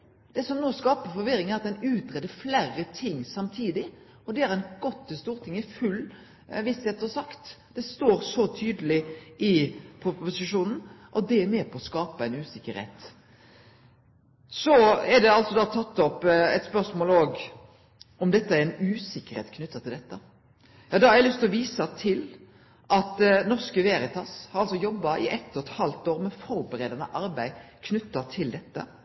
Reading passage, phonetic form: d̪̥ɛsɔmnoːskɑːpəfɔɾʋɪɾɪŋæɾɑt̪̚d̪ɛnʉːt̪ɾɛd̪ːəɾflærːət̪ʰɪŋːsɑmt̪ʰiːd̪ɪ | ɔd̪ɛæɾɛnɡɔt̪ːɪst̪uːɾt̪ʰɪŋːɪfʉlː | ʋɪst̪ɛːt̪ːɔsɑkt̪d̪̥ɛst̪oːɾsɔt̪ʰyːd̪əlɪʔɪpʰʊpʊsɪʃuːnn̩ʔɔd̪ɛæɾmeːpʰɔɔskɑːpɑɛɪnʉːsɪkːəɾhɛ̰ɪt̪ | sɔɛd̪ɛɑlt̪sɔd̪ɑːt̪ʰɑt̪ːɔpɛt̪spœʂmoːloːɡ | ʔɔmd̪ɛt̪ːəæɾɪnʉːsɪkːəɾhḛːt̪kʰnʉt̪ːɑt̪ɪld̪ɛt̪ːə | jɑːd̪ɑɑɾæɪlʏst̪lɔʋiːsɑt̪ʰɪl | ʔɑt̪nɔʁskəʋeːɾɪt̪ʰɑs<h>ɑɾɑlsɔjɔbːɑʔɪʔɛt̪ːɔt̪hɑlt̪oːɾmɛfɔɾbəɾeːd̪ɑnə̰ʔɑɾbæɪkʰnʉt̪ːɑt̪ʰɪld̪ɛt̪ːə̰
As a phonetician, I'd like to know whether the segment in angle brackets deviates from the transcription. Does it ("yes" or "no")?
no